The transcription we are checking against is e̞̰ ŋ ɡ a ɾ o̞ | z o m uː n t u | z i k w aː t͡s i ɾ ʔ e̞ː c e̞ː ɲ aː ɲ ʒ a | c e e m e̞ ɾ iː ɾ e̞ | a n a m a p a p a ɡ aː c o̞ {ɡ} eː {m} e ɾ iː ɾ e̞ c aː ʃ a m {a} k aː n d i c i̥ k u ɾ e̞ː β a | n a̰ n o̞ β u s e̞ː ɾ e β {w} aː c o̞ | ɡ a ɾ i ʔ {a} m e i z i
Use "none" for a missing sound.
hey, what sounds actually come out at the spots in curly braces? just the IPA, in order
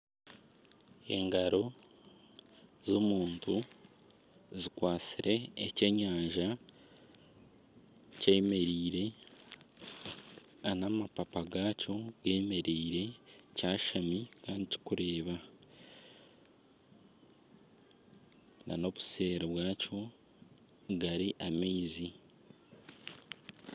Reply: ɡ, m, i, w, a

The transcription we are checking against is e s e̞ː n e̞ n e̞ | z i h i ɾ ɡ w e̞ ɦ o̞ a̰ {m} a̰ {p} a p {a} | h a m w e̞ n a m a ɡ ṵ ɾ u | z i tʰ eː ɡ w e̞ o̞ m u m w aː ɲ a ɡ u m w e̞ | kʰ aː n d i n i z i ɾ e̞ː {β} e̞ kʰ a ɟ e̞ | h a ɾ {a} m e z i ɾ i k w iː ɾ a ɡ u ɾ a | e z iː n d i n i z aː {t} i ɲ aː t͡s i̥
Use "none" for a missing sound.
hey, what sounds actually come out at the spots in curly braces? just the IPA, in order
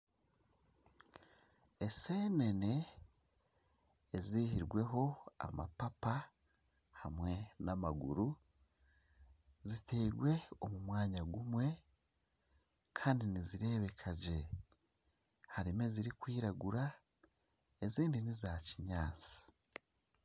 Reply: m, p, a, β, i, c

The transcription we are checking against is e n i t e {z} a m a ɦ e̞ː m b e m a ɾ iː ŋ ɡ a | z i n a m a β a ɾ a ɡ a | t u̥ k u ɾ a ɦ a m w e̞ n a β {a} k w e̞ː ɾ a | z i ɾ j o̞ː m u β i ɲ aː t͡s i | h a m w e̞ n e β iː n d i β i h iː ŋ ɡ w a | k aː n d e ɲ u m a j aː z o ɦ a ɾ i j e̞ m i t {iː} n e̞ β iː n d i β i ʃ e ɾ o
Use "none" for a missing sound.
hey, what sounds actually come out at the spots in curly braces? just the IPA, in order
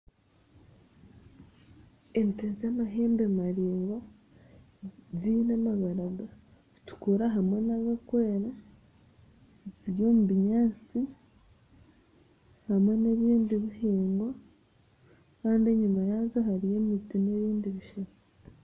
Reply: z, a, i

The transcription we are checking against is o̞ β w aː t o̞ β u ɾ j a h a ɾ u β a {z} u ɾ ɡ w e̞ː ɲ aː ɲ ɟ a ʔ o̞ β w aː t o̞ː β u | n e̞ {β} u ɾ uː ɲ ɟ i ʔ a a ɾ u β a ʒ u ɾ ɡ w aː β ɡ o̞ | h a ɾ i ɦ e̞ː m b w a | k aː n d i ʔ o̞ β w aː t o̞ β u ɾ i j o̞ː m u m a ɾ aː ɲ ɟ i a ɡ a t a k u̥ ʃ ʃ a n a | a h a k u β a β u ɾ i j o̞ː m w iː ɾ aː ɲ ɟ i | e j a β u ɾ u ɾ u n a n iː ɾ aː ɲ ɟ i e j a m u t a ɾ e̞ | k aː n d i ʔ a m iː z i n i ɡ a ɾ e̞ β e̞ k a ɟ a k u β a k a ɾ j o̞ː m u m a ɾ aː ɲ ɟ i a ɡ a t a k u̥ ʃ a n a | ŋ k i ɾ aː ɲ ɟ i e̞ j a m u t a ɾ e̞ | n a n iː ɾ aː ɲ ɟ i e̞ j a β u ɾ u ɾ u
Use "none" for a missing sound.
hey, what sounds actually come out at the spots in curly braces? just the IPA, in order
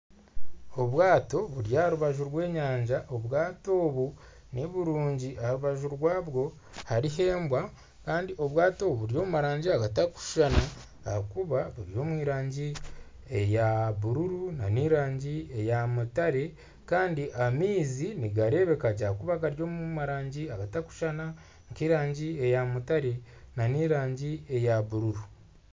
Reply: ʒ, β

